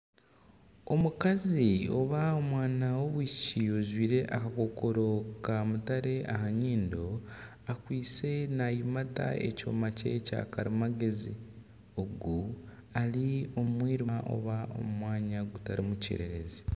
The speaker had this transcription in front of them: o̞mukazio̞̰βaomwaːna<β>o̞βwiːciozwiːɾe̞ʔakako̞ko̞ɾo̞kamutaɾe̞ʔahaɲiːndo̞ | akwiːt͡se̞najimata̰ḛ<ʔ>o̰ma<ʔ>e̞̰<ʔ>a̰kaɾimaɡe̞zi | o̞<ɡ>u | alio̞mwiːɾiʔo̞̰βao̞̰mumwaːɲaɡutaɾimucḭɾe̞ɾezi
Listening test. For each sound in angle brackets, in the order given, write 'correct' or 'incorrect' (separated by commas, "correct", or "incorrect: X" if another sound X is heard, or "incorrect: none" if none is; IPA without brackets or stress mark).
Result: incorrect: w, incorrect: c, incorrect: c, incorrect: c, correct